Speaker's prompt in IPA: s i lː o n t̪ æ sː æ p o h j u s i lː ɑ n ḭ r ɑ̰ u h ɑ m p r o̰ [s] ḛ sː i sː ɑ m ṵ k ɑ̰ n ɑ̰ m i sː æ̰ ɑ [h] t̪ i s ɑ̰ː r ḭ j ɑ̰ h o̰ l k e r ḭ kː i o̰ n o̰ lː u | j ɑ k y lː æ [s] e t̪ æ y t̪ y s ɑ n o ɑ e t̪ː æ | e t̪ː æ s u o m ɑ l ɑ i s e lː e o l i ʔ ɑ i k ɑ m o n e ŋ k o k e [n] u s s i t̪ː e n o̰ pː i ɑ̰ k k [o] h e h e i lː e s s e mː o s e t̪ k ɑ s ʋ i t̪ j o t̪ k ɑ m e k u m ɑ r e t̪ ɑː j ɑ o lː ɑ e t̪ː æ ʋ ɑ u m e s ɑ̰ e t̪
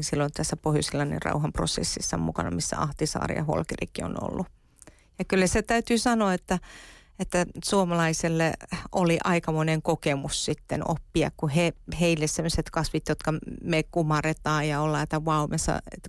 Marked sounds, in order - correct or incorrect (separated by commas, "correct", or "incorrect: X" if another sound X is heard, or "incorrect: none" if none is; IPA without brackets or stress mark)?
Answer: correct, correct, correct, incorrect: m, incorrect: u